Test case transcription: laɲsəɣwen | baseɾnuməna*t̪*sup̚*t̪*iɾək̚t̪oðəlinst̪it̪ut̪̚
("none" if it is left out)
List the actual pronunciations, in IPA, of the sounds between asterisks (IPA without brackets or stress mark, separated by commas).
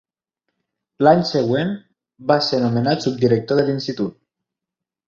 t̪, d̪